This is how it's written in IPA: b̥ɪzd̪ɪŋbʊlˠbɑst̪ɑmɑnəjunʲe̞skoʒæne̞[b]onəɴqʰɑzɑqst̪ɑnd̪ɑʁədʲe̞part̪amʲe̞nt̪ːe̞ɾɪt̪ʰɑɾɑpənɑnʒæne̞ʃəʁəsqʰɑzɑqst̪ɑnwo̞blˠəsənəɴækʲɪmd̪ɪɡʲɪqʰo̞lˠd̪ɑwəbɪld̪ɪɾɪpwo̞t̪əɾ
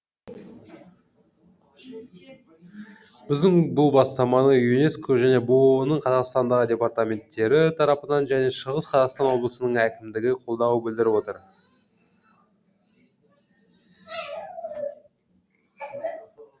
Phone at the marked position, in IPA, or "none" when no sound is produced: b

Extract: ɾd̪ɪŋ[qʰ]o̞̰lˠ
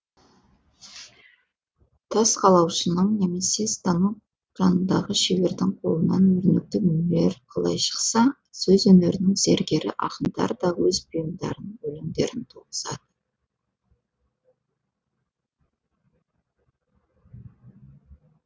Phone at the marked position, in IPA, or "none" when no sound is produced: qʰ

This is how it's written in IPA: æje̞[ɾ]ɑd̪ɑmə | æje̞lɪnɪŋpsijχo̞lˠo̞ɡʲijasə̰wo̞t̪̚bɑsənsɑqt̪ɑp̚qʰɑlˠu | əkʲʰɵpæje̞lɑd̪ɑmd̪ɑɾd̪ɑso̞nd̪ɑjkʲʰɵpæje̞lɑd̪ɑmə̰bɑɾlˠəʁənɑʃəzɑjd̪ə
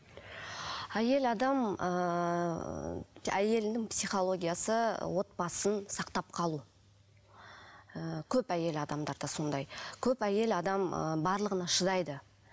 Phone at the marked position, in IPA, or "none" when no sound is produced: l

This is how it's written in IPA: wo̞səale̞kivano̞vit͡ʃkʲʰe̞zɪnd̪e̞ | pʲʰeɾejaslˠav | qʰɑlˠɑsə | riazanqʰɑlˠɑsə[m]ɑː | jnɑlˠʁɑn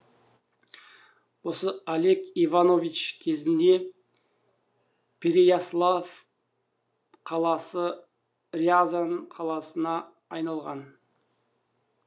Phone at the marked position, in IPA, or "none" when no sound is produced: n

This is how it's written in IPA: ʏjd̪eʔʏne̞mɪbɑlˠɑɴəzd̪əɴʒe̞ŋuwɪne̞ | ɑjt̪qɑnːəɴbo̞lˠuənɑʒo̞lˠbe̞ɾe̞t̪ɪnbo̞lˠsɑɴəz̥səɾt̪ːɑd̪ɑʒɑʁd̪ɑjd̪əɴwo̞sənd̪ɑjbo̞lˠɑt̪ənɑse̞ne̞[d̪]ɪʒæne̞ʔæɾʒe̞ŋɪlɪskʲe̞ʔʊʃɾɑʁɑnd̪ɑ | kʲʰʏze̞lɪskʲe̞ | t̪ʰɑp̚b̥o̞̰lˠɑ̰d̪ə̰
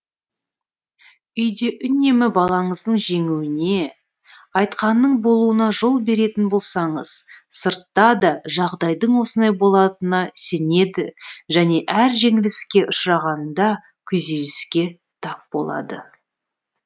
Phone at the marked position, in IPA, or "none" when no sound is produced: d̪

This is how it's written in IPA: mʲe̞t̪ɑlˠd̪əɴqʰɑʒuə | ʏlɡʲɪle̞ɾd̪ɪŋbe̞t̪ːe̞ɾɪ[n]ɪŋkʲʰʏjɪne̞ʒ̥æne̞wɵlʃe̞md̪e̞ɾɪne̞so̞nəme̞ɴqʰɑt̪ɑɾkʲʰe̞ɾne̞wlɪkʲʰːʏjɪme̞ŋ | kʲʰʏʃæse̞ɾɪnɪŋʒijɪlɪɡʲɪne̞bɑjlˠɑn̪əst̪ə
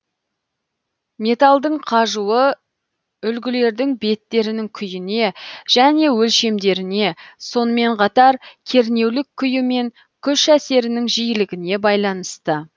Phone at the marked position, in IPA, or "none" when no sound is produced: n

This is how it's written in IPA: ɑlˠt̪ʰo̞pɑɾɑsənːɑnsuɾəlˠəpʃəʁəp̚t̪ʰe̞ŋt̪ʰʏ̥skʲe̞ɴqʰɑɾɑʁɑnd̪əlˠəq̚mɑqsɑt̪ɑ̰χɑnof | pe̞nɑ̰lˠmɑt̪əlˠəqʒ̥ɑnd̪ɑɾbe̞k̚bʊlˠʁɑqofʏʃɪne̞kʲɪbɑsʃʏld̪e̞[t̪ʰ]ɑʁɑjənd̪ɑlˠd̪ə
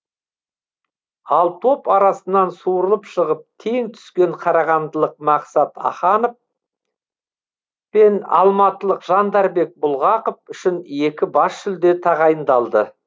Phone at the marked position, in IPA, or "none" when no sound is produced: t̪ʰ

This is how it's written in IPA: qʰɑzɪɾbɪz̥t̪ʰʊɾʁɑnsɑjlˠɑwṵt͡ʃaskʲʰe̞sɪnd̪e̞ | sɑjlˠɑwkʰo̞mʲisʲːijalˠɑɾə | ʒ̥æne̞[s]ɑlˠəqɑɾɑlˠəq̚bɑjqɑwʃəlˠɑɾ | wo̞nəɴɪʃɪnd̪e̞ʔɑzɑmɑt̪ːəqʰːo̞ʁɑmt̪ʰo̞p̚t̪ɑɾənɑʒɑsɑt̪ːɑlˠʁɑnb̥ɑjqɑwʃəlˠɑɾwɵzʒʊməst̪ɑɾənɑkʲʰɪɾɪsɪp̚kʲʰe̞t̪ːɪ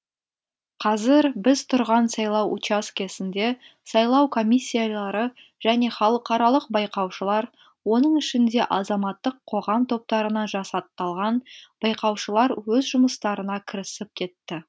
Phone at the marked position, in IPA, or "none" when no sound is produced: χ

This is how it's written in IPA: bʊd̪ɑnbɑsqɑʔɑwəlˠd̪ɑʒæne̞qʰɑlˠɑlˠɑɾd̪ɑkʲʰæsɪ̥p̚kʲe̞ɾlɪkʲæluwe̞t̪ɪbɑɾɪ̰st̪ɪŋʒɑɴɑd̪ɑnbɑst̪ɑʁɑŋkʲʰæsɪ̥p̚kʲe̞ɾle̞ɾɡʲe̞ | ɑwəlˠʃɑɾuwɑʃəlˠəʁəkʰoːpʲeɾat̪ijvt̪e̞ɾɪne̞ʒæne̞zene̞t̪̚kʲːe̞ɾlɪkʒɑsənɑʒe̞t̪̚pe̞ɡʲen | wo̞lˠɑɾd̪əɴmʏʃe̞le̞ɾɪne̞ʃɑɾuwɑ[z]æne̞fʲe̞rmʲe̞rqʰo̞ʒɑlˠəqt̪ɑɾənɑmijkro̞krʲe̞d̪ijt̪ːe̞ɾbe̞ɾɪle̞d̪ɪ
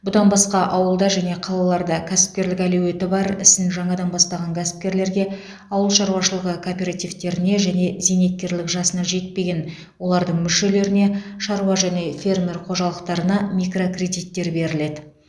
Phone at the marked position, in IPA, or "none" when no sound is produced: ʒ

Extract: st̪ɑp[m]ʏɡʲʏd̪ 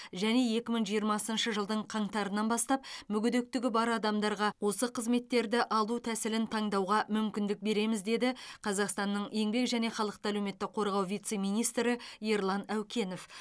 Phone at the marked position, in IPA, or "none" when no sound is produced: m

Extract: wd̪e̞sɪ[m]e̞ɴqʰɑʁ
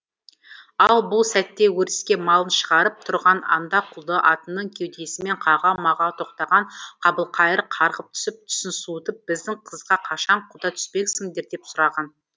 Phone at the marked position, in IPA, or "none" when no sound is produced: m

